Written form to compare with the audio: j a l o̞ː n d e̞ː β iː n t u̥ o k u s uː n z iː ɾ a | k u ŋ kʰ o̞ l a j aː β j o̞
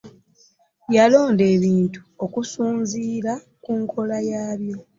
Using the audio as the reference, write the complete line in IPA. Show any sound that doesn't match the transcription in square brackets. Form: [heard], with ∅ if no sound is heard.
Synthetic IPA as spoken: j a l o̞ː n d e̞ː β iː n t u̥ o k u s uː n z iː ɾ a | k u ŋ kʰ o̞ l a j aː β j o̞